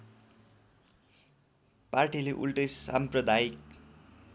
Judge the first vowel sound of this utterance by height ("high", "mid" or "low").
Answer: low